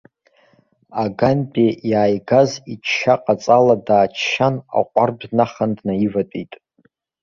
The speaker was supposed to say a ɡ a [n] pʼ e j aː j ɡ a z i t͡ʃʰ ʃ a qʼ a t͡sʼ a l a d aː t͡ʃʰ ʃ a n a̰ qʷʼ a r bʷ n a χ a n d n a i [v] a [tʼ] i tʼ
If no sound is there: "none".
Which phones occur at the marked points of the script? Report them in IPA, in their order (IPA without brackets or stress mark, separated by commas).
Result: n, v, tʼ